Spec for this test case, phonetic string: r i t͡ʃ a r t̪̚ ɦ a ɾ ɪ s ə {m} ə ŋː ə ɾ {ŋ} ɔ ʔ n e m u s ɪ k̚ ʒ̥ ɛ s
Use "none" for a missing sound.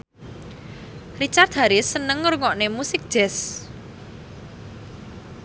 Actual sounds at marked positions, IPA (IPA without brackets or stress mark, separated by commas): n, ŋ